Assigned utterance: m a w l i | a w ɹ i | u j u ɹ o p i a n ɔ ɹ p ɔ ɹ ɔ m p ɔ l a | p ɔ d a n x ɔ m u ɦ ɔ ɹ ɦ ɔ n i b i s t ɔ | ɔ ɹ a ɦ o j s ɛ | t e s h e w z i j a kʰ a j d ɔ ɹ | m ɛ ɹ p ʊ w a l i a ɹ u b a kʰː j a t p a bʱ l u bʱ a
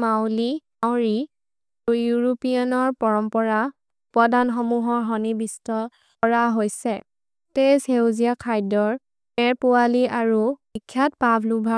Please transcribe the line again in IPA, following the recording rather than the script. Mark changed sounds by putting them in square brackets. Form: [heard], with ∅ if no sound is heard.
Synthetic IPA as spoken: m a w l i | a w ɹ i | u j u ɹ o p i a n ɔ ɹ p ɔ ɹ ɔ m p ɔ [ɹ] a | p ɔ d a n x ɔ m u ɦ ɔ ɹ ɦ ɔ n i b i s t ɔ | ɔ ɹ a ɦ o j s ɛ | t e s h e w z i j a kʰ a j d ɔ ɹ | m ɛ ɹ p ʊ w a l i a ɹ u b [i] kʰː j a t p a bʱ l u bʱ a